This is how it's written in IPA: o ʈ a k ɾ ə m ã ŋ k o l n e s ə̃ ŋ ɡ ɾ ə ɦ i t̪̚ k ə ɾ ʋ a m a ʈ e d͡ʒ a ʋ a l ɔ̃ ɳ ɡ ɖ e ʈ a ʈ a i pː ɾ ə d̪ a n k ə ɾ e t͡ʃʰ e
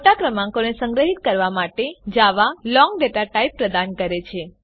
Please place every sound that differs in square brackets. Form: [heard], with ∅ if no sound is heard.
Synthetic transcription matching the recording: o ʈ a k ɾ ə m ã ŋ k o [∅] n e s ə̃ ŋ ɡ ɾ ə ɦ i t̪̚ k ə ɾ ʋ a m a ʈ e d͡ʒ a ʋ a l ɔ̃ [ŋ] ɡ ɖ e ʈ a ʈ a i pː ɾ ə d̪ a n k ə ɾ e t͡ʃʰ e